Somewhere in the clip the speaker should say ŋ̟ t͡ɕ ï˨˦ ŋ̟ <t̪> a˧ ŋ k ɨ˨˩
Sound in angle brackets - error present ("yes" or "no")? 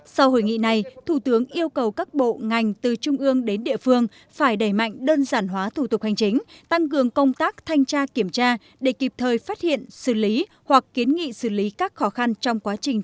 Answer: no